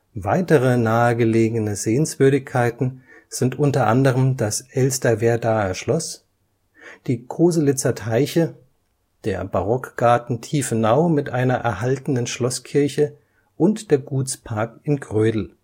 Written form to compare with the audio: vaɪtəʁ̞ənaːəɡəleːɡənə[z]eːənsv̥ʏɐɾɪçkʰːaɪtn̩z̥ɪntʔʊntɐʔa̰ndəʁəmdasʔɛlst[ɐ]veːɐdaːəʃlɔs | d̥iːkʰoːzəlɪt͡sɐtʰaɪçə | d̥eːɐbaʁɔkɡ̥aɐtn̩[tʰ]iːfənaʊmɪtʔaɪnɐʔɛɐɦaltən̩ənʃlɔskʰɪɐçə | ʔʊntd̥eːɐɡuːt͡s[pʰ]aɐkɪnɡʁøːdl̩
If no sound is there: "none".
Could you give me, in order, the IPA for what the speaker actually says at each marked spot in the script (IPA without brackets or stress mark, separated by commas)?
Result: z, ɐ, tʰ, pʰ